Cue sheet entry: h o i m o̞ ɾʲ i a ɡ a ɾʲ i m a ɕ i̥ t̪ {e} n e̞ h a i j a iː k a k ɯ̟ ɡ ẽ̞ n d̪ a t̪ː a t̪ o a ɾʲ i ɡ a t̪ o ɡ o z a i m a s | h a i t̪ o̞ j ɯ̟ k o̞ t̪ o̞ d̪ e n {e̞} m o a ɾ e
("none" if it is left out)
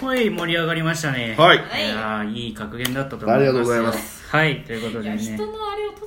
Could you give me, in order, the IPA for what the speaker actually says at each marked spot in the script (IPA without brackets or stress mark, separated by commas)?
a, e̞